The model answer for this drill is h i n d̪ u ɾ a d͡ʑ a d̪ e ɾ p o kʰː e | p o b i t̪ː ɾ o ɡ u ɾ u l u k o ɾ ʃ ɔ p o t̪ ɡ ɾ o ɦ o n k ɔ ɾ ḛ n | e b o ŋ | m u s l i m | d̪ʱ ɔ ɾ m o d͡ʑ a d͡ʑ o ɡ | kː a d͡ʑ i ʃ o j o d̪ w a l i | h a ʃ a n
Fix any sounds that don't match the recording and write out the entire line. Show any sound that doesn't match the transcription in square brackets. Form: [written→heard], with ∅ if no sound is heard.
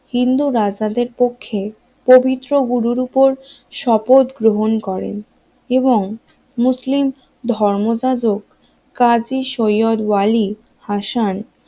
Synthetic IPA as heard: h i n d̪ u ɾ a d͡ʑ a d̪ e ɾ p o kʰː e | p o b i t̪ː ɾ o ɡ u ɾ u [l→ɾ] u [k→p] o ɾ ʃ ɔ p o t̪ ɡ ɾ o ɦ o n k ɔ ɾ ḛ n | e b o ŋ | m u s l i m | d̪ʱ ɔ ɾ m o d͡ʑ a d͡ʑ o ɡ | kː a d͡ʑ i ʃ o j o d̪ w a l i | h a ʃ a n

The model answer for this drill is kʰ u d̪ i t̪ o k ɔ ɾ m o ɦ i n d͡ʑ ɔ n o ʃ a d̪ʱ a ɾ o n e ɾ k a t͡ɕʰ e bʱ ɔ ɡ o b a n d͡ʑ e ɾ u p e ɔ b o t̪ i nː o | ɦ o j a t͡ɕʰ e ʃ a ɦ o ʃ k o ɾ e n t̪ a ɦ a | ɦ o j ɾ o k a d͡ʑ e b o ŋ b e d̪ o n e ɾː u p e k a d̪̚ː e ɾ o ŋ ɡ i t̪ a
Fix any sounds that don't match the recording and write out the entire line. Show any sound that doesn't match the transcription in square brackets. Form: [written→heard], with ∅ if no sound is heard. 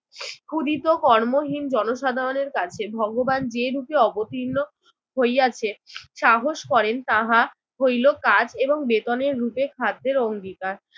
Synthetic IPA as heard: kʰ u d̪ i t̪ o k ɔ ɾ m o ɦ i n d͡ʑ ɔ n o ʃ a d̪ʱ a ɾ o n e ɾ k a t͡ɕʰ e bʱ ɔ ɡ o b a n d͡ʑ e ɾ u p e ɔ b o t̪ i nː o | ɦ o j a t͡ɕʰ e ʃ a ɦ o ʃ k [o→ɔ] ɾ e n t̪ a ɦ a | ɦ o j [ɾ→l] o k a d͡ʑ e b o ŋ b e [d̪→t̪] o n e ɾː u p e [k→kʰ] a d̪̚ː e ɾ o ŋ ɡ i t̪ a

